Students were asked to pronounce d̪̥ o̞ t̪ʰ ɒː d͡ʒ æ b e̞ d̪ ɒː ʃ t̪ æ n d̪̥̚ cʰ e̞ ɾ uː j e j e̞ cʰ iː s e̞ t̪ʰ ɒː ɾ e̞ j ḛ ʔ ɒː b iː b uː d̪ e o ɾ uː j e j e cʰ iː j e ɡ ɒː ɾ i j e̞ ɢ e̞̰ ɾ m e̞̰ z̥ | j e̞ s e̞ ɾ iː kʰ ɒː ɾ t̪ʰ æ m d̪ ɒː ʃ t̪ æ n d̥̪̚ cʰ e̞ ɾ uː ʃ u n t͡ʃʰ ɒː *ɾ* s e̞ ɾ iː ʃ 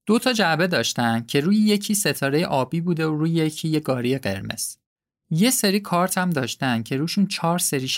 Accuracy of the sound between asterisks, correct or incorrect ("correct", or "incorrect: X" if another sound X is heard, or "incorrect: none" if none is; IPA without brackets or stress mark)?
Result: correct